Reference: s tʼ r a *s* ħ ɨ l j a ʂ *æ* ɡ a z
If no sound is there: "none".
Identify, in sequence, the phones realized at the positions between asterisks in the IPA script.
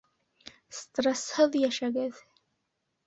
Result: s, a

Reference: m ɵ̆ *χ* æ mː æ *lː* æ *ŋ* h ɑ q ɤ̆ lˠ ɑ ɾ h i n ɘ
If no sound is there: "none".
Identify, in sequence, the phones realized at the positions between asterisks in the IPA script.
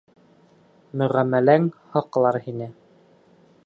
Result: ʁ, l, ŋ

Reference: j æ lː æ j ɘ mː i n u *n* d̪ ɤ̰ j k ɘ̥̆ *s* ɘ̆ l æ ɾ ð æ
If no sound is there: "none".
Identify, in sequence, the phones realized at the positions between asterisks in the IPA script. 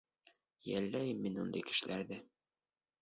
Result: n, ʃ

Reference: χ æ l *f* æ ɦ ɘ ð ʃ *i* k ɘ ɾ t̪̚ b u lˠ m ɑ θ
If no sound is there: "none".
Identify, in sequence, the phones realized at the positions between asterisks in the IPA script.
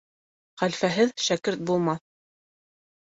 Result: f, æ

